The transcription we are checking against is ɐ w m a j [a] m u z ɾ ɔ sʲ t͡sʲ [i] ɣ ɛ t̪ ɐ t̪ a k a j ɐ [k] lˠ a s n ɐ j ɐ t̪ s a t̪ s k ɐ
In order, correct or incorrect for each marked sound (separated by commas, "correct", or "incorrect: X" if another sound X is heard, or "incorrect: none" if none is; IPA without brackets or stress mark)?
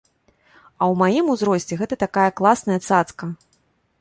incorrect: i, incorrect: ɛ, correct